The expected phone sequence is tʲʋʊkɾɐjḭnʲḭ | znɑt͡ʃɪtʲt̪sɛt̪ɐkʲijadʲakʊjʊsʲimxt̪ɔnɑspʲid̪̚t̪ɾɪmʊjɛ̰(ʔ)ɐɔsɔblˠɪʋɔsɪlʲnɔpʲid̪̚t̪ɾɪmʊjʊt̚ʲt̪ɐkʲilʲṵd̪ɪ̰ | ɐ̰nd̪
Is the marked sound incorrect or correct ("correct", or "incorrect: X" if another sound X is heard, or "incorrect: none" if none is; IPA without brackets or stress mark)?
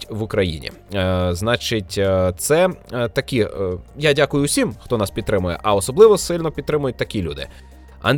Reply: correct